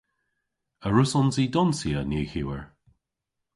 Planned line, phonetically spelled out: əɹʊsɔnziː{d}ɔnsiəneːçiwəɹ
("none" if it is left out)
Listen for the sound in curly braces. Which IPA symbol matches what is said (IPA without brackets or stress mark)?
d